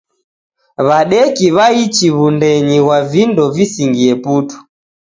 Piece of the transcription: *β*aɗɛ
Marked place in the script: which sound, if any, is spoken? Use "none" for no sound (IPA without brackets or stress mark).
β